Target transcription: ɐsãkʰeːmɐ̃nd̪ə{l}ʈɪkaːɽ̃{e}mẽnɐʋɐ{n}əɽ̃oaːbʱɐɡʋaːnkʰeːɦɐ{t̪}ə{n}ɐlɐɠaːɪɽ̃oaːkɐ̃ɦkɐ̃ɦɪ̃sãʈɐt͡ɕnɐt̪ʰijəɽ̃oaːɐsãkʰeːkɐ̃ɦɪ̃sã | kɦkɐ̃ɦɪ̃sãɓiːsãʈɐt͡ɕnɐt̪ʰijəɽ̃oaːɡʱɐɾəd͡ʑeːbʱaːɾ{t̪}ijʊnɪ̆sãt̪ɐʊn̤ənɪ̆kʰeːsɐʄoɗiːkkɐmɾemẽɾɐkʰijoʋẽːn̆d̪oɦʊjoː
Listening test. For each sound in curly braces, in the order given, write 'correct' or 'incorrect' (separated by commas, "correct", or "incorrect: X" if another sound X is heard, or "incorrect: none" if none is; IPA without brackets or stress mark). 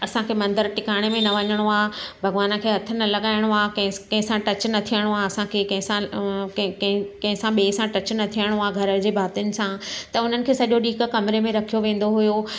incorrect: ɾ, correct, incorrect: ɲ, incorrect: t̪ʰ, correct, correct